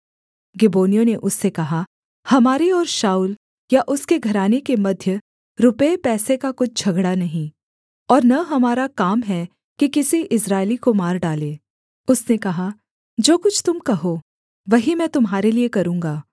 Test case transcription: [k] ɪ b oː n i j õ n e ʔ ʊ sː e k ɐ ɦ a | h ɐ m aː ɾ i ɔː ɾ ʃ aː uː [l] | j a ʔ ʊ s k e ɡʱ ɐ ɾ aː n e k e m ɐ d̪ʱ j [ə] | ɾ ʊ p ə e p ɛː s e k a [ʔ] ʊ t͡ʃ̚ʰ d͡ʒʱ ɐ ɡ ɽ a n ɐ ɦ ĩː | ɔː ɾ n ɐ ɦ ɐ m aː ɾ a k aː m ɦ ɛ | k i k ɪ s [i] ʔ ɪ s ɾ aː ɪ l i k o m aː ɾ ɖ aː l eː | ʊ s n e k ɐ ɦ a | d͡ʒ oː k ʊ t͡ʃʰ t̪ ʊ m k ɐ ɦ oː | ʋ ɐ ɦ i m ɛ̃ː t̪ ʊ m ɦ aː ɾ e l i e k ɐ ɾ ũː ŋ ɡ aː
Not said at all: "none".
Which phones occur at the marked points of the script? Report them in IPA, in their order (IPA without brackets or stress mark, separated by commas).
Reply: ɡ, l, ə, k, i